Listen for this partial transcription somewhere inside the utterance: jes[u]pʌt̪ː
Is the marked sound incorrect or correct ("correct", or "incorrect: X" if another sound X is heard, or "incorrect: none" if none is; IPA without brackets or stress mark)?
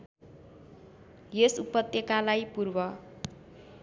correct